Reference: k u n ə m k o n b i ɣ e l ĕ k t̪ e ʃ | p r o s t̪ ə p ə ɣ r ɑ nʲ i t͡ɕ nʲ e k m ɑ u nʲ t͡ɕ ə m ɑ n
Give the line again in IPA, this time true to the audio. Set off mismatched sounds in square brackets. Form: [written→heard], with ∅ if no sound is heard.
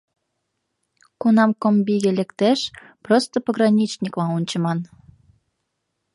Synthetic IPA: k u n [ə→ɑ] m k o [n→m] b i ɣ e l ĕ k t̪ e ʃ | p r o s t̪ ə p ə ɣ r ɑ nʲ i t͡ɕ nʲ [e→i] k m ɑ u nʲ t͡ɕ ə m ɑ n